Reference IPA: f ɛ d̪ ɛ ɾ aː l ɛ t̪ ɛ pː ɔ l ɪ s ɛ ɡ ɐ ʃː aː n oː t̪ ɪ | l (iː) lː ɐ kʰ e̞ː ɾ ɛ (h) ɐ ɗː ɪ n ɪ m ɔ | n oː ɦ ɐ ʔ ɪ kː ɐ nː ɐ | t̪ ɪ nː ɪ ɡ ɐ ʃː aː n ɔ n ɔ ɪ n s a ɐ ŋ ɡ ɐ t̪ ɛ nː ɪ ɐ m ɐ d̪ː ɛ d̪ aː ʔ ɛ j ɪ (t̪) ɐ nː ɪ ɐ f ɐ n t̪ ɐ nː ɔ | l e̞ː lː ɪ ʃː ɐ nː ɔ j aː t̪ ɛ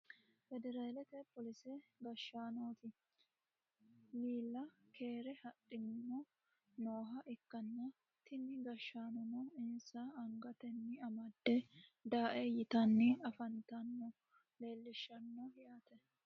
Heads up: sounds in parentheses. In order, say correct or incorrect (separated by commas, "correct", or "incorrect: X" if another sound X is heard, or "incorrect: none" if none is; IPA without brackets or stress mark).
correct, correct, correct